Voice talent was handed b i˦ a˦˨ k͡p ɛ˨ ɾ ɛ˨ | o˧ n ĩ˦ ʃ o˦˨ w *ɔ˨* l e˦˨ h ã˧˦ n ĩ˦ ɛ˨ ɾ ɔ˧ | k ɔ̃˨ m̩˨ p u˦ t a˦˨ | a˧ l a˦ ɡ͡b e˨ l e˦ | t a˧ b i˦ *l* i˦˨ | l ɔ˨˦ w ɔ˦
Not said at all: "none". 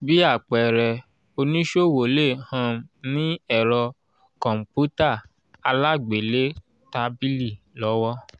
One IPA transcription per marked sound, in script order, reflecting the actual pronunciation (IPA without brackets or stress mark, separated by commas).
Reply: o˨, l